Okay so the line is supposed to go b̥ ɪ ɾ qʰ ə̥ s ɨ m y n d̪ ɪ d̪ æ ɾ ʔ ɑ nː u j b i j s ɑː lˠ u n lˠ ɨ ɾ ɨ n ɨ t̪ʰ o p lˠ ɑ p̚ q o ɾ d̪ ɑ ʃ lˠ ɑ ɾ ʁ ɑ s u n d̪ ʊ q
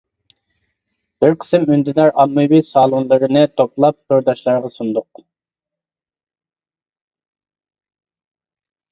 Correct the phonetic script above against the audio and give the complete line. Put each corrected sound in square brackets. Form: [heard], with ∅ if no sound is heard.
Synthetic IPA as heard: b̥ ɪ ɾ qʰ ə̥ s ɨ m y n d̪ ɪ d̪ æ ɾ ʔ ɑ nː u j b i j s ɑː lˠ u n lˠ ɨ ɾ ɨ n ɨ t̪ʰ o p lˠ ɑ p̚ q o ɾ d̪ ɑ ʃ lˠ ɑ ɾ ʁ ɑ s u n d̪ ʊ q